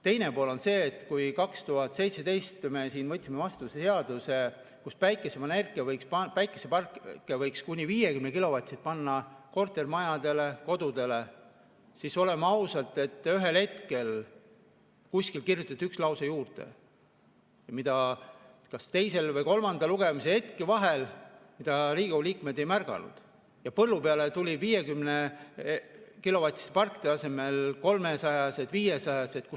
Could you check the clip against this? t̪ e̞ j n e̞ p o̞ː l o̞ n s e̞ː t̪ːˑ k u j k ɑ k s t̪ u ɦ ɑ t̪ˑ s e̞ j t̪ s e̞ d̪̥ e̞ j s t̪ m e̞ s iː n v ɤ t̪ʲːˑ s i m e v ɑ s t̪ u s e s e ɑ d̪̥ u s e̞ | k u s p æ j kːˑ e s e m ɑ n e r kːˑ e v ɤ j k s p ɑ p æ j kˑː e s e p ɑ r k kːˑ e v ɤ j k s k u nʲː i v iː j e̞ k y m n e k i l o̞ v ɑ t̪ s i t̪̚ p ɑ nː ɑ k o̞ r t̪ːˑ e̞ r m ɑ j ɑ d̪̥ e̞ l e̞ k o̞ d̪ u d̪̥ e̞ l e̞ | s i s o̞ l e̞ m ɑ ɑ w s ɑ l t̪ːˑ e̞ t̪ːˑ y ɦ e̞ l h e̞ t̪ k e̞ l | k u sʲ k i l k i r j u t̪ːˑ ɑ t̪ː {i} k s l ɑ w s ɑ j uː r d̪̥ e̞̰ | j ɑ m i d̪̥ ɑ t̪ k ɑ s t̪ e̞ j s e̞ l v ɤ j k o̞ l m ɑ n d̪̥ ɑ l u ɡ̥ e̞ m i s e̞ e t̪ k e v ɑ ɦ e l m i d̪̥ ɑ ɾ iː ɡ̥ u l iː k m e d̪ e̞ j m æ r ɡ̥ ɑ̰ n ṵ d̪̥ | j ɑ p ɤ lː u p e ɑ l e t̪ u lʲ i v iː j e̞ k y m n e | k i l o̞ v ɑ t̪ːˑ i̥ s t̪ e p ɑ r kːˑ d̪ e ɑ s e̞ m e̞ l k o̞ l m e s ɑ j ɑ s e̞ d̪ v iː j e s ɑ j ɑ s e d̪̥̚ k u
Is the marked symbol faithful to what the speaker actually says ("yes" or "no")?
no